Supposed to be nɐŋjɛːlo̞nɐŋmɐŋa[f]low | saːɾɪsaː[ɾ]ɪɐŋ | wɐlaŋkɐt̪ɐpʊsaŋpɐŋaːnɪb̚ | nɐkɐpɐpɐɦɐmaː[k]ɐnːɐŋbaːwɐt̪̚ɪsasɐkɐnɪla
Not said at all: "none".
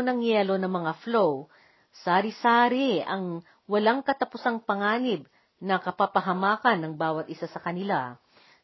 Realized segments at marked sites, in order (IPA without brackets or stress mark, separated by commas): f, ɾ, k